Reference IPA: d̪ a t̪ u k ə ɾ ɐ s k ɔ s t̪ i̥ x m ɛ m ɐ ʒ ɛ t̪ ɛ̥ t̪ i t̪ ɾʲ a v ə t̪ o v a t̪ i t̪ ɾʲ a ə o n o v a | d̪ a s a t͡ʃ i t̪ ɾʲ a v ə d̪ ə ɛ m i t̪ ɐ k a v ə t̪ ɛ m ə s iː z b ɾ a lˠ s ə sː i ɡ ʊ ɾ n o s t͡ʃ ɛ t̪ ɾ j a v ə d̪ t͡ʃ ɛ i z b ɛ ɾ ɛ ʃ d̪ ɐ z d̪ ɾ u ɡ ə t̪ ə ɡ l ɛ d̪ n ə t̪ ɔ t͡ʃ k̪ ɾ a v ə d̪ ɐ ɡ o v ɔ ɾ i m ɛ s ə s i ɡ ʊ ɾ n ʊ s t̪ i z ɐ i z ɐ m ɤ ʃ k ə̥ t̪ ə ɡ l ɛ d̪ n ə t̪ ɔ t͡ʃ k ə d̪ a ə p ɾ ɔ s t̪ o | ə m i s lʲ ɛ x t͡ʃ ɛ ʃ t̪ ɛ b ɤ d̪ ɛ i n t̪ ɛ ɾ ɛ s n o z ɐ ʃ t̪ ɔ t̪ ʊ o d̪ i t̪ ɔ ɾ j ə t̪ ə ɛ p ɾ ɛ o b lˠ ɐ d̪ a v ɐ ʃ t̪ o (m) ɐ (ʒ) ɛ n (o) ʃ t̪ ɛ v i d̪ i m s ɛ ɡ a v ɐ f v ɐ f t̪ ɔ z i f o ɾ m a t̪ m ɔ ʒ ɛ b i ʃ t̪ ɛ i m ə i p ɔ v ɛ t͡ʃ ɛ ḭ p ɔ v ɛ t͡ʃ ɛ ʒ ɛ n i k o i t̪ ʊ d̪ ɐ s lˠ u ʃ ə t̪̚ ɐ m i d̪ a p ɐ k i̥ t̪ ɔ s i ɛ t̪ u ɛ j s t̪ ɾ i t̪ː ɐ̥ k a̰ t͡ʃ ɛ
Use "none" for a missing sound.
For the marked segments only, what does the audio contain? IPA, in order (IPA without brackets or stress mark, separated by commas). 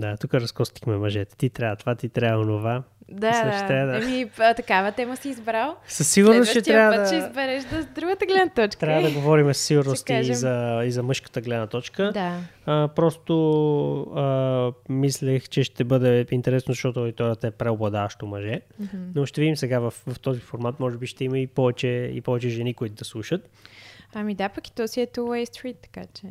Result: m, ʒ, o